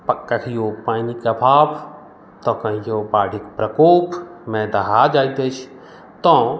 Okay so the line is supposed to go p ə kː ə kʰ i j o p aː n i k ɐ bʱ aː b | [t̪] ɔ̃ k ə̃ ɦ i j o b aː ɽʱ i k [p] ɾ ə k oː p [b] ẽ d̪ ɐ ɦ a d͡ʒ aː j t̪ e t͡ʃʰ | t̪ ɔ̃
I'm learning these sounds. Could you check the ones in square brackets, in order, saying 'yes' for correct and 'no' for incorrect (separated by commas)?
yes, yes, no